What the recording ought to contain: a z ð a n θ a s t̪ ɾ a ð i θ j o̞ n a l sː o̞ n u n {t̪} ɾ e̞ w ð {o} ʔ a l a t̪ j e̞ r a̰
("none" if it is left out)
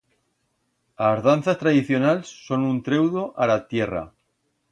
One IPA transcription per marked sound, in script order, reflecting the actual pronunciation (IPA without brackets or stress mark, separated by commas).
t̪, o